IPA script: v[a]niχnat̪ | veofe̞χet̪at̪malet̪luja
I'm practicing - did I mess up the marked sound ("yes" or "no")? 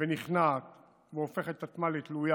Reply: yes